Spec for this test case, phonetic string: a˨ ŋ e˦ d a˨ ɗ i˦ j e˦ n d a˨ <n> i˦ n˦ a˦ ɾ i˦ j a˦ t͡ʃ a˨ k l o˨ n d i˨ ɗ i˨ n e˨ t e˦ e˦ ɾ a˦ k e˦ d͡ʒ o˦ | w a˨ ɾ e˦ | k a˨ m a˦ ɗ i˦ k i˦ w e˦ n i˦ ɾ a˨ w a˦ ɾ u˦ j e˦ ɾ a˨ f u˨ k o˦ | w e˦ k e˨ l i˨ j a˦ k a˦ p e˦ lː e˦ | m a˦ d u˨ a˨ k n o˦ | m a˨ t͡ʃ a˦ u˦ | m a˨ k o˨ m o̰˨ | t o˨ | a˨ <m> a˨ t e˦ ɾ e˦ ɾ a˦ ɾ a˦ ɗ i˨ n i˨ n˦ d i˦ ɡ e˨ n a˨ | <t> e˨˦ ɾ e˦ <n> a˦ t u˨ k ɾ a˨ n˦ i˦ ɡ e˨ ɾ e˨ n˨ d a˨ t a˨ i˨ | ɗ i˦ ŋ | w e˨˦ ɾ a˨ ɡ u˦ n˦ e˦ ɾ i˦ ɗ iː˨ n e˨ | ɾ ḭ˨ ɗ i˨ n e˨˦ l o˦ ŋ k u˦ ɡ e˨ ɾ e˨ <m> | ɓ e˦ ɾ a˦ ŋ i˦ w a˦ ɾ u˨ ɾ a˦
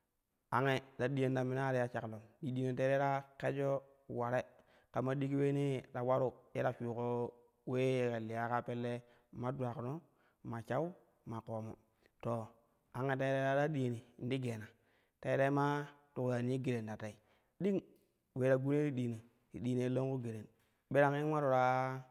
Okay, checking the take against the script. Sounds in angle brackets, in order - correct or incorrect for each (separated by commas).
incorrect, incorrect, correct, incorrect, incorrect